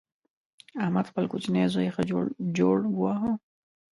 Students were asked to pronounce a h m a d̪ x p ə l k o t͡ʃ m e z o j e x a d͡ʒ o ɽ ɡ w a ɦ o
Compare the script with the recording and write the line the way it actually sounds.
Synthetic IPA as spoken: a h m a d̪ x p ə l k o t͡ʃ n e z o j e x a d͡ʒ o ɽ ɡ w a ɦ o